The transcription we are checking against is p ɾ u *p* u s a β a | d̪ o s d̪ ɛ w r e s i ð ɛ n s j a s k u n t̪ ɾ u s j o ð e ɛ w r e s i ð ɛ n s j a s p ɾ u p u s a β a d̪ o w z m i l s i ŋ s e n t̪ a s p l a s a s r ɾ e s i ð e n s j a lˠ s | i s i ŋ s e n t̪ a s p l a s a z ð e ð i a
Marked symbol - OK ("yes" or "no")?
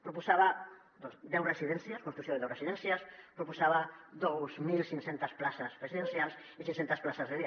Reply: yes